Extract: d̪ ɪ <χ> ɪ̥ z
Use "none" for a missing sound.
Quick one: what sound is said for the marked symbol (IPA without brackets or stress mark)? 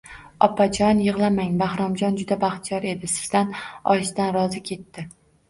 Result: s